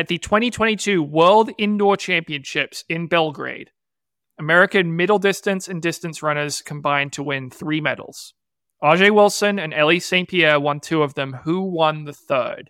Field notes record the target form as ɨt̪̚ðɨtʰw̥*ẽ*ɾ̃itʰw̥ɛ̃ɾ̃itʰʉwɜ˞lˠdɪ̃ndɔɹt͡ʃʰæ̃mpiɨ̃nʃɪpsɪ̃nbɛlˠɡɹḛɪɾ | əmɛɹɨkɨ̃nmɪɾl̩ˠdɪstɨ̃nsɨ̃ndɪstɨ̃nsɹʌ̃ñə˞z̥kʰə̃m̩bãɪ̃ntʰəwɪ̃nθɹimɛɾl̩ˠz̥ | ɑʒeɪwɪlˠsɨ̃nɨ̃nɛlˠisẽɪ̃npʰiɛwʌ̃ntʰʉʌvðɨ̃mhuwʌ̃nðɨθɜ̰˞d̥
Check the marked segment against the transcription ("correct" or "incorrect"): incorrect